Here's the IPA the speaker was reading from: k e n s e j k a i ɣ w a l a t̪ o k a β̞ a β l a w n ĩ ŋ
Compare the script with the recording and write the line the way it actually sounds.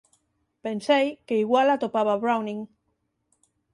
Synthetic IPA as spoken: p e n s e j k e i ɣ w a l a t̪ o p a β̞ a β ɾ a w n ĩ ŋ